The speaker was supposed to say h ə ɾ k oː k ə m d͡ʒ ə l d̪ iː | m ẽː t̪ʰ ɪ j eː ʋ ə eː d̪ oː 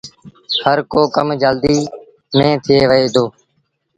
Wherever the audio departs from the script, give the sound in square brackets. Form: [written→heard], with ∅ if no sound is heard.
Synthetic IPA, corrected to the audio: h ə ɾ k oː k ə m d͡ʒ ə l d̪ iː | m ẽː t̪ʰ ɪ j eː ʋ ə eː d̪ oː